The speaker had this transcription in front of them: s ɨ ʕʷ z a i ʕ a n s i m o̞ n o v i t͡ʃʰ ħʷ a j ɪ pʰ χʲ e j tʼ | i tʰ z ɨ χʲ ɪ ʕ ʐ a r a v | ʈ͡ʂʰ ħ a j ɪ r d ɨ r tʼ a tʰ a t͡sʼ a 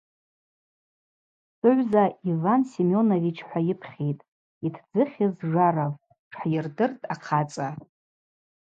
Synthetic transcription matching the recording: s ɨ ʕʷ z a i v a n s i m o̞ n o v i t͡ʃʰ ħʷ a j ɪ pʰ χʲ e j tʼ | i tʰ d͡z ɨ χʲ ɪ z ʐ a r a v | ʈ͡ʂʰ ħ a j ɪ r d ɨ r tʼ a qʰ a t͡sʼ a